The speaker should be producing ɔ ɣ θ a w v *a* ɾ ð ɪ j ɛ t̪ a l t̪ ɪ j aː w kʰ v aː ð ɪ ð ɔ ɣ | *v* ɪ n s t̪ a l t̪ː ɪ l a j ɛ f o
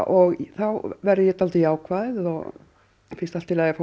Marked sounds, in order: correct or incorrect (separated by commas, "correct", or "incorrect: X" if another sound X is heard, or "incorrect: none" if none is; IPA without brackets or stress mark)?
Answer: incorrect: ɛ, incorrect: f